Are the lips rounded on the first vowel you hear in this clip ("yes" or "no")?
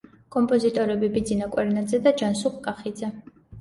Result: yes